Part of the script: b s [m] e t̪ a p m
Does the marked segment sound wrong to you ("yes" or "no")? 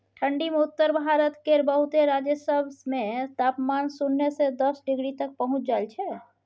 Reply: no